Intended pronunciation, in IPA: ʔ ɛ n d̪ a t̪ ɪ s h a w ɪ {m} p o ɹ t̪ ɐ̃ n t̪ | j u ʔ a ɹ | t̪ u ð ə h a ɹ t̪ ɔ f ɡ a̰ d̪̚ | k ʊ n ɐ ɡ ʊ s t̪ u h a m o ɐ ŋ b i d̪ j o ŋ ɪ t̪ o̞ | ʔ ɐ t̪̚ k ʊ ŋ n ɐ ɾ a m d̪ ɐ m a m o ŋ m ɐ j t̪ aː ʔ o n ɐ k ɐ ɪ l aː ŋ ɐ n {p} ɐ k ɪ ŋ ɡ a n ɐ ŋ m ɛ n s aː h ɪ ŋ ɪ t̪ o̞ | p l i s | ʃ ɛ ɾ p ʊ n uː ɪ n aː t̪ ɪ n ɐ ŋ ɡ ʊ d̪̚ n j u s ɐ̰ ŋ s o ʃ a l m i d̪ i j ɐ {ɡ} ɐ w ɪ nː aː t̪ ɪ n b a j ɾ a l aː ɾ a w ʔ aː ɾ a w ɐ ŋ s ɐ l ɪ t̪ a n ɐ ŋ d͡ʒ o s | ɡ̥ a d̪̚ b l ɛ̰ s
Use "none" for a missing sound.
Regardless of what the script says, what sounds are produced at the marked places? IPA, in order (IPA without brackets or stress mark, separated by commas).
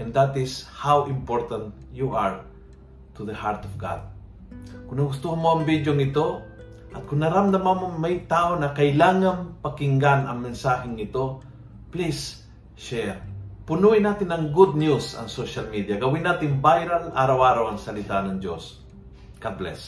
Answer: m, p, ɡ